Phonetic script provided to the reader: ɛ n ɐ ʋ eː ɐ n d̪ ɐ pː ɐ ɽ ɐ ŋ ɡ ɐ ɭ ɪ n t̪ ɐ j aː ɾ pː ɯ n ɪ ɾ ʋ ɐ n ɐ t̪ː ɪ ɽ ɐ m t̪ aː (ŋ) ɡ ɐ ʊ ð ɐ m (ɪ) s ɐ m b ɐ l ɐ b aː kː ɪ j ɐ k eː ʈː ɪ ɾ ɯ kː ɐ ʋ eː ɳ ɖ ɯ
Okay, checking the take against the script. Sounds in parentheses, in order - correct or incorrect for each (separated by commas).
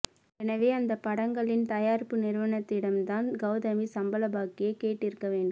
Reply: incorrect, incorrect